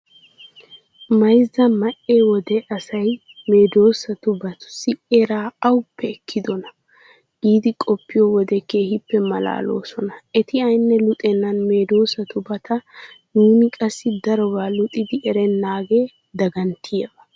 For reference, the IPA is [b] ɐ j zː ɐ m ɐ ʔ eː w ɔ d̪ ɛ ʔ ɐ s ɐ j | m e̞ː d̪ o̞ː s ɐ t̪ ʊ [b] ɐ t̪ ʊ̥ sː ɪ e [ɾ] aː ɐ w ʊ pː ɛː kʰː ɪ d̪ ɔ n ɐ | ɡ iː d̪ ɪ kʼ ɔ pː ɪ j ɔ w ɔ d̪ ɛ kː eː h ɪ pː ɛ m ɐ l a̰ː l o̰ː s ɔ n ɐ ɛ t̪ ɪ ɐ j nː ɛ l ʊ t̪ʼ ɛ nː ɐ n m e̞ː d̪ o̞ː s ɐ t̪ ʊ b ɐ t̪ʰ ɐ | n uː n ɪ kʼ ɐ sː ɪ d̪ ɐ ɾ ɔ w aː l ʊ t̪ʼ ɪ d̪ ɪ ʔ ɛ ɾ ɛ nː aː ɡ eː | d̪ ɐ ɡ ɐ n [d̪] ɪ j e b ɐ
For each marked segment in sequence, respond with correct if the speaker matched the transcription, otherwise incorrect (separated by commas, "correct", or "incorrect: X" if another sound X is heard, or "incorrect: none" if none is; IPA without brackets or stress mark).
incorrect: m, correct, correct, incorrect: t̪